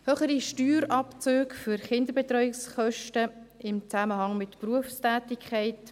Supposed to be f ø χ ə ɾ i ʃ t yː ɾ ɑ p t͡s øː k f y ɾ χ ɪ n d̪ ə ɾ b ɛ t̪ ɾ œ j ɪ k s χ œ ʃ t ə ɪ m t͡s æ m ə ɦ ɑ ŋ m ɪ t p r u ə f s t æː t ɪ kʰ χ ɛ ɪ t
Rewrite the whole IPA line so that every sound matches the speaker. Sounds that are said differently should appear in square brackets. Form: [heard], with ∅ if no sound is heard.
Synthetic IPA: [h] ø χ ə ɾ i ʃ t yː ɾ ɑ p t͡s øː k f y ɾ χ ɪ n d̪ ə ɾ b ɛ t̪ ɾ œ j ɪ k s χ œ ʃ t ə ɪ m t͡s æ m ə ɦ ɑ ŋ m ɪ t p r u ə f s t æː t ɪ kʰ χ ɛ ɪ t